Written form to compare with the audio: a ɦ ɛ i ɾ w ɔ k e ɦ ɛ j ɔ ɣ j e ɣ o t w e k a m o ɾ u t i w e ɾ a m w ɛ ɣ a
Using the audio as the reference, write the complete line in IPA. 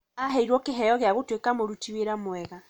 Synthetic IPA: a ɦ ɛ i ɾ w ɔ k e ɦ ɛ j ɔ ɣ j a ɣ o t w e k a m o ɾ u t i w e ɾ a m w ɛ ɣ a